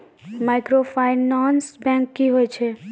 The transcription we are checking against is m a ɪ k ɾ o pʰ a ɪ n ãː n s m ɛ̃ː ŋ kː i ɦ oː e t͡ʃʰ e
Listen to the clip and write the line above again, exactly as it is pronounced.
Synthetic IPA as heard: m a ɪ k ɾ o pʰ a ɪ n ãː n s b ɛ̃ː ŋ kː i ɦ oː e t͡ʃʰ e